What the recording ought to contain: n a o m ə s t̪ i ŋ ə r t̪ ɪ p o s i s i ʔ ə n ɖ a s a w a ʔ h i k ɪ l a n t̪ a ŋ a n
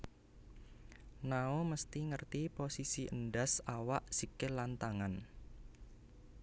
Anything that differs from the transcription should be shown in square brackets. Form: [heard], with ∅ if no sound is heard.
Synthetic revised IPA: n a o m ə s t̪ i ŋ ə r t̪ [i] p o s i s i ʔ ə n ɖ a s a w a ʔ [s] i k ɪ l a n t̪ a ŋ a n